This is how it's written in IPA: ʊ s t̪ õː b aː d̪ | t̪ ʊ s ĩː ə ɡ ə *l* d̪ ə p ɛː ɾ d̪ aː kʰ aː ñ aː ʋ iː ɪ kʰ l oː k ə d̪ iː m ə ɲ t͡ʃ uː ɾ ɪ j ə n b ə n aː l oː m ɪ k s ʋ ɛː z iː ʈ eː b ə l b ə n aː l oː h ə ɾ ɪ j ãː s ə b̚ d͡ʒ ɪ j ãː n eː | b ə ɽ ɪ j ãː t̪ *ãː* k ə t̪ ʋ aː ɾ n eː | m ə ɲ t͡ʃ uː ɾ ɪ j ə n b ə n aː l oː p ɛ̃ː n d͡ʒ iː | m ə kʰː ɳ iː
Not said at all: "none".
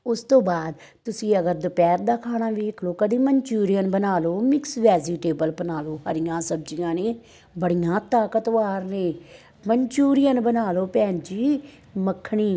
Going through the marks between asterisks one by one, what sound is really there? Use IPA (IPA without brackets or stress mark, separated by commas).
ɾ, aː